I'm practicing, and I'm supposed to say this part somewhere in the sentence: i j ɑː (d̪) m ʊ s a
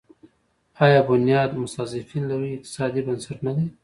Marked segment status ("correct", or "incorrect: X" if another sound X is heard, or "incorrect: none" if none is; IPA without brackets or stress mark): correct